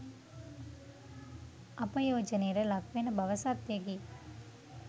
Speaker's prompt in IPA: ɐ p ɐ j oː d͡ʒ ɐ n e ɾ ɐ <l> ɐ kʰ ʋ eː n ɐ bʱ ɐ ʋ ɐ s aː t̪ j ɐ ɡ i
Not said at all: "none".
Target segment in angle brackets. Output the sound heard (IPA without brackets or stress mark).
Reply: l